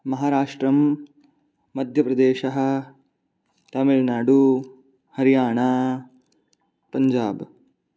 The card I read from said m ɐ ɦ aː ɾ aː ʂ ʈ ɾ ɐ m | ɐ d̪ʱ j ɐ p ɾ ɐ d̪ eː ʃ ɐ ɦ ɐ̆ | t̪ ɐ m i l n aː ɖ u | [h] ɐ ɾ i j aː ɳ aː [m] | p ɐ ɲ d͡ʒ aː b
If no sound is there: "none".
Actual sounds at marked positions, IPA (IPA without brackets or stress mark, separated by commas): h, none